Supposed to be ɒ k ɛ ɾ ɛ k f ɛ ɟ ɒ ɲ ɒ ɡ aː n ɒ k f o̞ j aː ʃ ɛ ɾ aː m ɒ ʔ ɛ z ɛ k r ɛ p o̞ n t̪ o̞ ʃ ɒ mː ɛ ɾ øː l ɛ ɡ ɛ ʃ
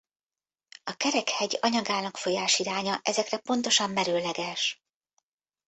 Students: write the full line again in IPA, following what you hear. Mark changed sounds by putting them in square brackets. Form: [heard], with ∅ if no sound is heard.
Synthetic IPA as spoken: ɒ k ɛ ɾ ɛ k [h] ɛ ɟ ɒ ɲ ɒ ɡ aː n ɒ k f o̞ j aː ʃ [i] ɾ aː [ɲ] ɒ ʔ ɛ z ɛ k r ɛ p o̞ n t̪ o̞ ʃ ɒ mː ɛ ɾ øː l ɛ ɡ ɛ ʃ